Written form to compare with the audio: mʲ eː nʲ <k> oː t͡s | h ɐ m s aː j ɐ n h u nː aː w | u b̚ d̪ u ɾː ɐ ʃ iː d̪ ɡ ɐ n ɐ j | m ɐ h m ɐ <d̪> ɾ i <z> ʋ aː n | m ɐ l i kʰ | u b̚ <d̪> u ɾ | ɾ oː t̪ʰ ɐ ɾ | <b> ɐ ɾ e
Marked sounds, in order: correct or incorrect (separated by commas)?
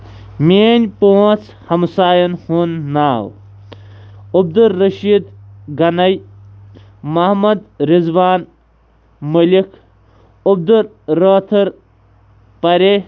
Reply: incorrect, correct, correct, correct, incorrect